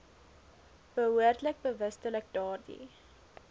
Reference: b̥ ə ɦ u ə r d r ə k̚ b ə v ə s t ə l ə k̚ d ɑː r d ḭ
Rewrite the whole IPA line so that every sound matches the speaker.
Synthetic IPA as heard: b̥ ə ɦ u ə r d l ə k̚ b ə v ə s t ə l ə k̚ d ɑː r d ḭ

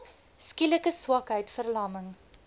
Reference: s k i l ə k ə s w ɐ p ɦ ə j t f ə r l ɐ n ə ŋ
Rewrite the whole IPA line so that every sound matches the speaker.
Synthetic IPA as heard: s k i l ə k ə s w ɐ k ɦ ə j t f ə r l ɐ m ə ŋ

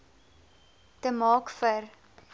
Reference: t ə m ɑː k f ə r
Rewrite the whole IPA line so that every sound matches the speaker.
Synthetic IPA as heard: t ə m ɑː k f ə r

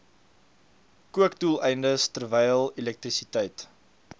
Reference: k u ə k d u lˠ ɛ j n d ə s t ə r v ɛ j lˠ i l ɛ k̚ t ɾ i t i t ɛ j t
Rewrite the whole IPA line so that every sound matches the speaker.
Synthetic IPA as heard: k u ə k d u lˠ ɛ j n d ə s t ə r v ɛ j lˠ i l ɛ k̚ t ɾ i s i t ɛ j t

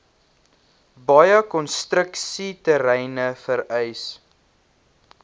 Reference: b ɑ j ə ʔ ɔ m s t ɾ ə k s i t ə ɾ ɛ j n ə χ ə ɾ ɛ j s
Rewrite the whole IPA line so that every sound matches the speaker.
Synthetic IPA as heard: b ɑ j ə k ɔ n s t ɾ ə k s i t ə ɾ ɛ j n ə f ə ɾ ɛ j s

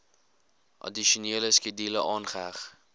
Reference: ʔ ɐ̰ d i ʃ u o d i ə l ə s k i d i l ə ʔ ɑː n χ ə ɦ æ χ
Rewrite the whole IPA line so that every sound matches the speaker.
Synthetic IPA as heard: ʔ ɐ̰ d i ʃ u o n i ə l ə s k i d i l ə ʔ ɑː n χ ə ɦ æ χ

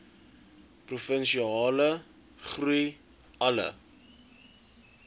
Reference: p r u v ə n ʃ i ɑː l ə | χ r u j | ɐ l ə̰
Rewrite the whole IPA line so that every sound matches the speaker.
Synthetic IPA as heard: p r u f ə n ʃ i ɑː l ə | χ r u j | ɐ l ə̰

